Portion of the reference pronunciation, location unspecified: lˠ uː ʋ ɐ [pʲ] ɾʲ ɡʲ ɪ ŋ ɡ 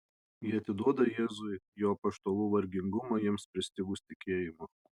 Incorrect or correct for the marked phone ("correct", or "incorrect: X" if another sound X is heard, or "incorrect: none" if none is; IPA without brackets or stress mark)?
incorrect: none